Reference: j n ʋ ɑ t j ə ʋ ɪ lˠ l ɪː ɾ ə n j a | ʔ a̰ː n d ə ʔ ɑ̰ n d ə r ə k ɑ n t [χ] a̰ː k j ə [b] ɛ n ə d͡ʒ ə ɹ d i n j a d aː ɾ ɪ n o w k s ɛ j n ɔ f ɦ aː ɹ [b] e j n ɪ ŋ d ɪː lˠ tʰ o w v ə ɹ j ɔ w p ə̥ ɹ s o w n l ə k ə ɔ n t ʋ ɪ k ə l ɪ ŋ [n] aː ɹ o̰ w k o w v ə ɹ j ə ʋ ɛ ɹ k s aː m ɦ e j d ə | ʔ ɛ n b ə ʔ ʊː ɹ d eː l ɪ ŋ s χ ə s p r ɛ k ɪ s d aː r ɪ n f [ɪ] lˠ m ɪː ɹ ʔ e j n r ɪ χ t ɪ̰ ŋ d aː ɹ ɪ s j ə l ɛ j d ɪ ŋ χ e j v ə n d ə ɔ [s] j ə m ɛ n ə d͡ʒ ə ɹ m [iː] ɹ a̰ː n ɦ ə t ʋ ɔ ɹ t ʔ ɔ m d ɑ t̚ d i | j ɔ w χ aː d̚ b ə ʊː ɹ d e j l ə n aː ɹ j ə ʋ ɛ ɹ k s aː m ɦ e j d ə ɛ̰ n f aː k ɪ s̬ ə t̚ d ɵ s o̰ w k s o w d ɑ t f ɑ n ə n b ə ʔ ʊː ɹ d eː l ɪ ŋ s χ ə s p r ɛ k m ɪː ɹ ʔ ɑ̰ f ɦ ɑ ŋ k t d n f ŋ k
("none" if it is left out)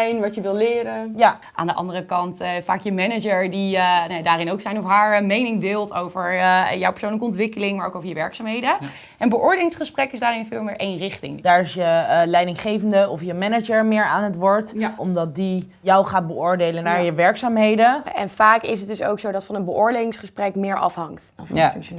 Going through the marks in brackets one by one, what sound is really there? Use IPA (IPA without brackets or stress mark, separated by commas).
f, m, m, m, ɪː, f, ɪː